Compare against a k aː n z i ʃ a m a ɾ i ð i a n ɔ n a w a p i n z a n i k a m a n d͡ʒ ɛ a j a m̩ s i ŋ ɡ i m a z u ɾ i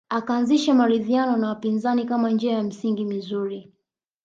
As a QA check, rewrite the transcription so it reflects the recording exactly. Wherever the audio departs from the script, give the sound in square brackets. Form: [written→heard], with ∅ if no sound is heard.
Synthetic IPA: a k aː n z i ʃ a m a ɾ i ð i a n ɔ n a w a p i n z a n i k a m a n d͡ʒ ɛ a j a m̩ s i ŋ ɡ i m [a→i] z u ɾ i